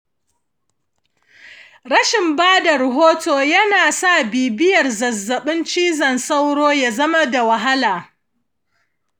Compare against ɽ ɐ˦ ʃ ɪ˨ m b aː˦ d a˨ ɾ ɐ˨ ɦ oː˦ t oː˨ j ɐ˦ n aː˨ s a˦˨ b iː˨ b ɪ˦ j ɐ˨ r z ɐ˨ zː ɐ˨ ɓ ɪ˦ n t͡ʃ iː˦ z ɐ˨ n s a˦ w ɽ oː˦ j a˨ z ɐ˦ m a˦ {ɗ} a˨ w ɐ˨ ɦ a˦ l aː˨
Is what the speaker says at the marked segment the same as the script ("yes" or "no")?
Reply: no